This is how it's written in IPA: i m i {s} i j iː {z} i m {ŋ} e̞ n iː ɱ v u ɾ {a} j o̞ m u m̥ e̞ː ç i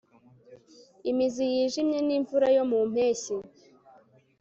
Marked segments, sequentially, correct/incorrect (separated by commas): incorrect, incorrect, incorrect, correct